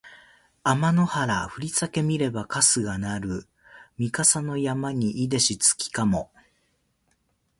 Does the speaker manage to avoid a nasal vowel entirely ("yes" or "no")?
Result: yes